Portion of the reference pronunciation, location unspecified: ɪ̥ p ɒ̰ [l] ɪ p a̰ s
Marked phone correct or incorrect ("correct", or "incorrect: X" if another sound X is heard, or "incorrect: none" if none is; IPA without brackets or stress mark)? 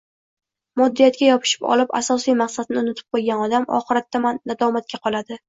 correct